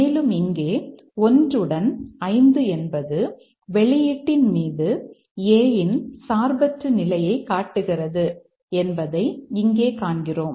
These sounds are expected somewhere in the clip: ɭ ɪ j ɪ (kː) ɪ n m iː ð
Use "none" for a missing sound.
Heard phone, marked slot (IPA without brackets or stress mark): ʈː